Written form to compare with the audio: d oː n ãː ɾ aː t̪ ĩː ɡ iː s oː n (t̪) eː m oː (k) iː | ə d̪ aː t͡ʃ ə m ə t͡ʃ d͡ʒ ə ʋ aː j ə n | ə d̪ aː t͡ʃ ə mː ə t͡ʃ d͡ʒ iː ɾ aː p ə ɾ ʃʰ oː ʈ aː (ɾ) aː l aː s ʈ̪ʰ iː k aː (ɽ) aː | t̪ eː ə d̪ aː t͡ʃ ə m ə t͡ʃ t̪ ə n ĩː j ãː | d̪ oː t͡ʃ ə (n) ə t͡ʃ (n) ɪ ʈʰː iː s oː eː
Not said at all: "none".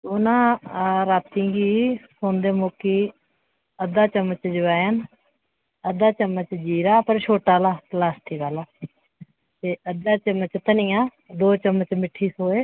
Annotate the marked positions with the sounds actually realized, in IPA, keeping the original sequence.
d̪, k, l, l, m, m

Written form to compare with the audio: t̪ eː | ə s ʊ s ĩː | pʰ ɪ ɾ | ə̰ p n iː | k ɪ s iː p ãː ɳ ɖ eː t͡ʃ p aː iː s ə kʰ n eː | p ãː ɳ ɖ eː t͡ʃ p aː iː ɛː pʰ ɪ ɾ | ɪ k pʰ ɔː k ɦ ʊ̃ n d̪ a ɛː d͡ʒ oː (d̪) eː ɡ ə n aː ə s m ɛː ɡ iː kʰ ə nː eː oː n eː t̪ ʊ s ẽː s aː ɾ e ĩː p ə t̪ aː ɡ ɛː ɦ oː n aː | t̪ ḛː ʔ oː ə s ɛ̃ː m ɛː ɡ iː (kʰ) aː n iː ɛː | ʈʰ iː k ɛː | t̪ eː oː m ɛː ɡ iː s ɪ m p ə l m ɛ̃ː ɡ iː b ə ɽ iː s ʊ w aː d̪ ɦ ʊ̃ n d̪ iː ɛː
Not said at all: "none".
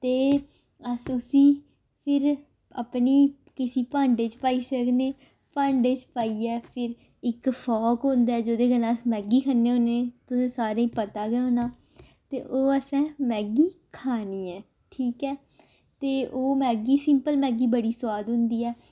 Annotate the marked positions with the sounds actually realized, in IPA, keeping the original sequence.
d̪, kʰ

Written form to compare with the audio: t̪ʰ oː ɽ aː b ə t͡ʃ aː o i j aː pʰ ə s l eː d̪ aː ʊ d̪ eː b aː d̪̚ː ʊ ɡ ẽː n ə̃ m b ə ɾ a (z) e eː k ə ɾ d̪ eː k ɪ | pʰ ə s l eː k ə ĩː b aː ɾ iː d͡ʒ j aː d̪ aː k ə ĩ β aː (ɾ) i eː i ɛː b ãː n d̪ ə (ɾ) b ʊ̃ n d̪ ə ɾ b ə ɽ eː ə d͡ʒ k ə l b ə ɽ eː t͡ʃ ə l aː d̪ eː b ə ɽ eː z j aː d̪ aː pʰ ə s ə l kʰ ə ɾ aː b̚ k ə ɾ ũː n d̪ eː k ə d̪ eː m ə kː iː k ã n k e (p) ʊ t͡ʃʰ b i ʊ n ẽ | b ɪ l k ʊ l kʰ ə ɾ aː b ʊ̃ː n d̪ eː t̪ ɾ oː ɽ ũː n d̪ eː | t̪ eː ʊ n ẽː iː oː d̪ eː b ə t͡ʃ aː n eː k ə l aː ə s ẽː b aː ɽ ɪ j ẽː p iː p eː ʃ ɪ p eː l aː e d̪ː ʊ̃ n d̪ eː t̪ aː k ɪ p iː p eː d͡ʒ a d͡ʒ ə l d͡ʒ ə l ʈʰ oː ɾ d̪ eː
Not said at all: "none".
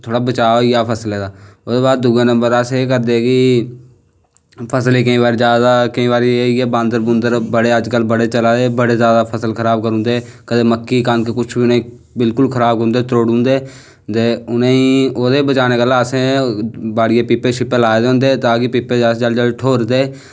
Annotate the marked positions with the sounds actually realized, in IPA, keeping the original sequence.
s, ɾ, ɾ, k

